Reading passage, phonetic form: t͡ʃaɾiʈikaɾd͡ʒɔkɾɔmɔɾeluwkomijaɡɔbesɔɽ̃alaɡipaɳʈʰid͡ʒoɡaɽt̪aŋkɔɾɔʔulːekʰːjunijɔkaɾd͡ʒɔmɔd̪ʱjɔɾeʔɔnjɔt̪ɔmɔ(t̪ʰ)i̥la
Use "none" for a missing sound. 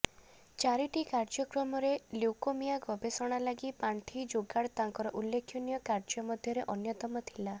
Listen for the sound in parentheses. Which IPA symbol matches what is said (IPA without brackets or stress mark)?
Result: t̪ʰ